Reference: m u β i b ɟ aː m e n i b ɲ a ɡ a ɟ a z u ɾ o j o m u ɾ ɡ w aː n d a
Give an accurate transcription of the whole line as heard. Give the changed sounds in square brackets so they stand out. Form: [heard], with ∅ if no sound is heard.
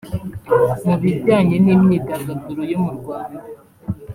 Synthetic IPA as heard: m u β i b ɟ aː [ɲ] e n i [m] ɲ [i] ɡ a [ɡ] a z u ɾ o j o m u ɾ ɡ w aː n d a